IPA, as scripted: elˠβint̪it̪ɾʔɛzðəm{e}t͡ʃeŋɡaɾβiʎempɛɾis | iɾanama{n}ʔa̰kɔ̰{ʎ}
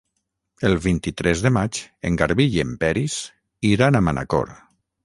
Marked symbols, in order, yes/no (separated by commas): no, yes, no